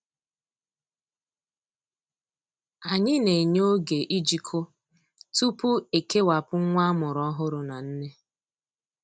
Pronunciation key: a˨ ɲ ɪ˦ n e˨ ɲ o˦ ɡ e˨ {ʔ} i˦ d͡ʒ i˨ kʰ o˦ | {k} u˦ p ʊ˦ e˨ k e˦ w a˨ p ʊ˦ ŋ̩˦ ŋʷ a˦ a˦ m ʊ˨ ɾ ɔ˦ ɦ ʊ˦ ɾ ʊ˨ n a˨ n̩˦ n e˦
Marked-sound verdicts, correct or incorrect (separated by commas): correct, incorrect